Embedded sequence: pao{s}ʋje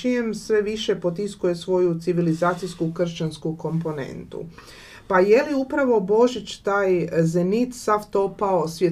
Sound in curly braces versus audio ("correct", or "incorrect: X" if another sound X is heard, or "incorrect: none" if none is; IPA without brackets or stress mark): correct